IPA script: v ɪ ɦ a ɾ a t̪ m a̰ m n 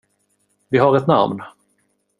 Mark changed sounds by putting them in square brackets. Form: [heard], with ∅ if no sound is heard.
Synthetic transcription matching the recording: v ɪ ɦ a ɾ [ɛ] t̪ [n] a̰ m n